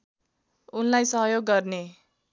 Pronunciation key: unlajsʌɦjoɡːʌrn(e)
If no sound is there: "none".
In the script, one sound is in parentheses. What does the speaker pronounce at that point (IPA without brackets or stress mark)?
e